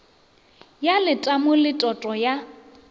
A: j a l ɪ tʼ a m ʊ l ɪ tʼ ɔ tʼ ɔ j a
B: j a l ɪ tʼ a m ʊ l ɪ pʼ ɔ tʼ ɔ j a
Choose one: A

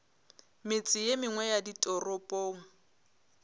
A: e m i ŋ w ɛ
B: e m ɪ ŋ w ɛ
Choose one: B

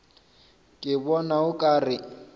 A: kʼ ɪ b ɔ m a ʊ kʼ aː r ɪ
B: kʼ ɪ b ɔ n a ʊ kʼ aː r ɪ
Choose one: B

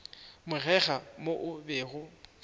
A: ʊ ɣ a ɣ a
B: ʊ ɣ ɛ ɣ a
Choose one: B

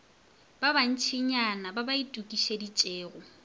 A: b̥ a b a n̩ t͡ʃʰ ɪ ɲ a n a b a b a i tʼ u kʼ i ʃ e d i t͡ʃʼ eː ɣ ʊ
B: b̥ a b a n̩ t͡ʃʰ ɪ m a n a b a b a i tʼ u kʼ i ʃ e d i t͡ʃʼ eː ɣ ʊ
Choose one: A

